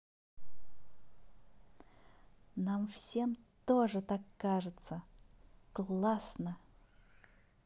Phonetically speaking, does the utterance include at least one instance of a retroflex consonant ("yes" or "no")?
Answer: yes